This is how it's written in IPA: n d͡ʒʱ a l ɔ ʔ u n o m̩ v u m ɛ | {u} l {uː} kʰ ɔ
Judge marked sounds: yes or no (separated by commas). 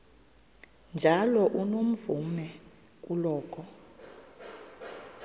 yes, no